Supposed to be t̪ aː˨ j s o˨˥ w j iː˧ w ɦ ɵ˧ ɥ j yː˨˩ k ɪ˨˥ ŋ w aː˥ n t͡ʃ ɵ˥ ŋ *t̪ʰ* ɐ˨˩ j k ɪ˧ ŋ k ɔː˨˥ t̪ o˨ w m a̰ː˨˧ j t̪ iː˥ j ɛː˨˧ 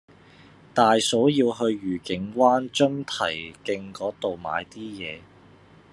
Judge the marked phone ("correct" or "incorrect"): correct